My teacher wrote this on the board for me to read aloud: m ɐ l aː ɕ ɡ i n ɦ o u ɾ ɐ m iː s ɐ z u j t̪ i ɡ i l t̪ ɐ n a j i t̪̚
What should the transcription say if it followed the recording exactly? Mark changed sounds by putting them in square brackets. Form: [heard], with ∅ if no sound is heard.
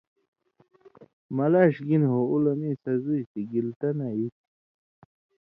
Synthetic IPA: m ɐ l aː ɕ ɡ i n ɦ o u [l] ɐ m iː s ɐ z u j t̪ i ɡ i l t̪ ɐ n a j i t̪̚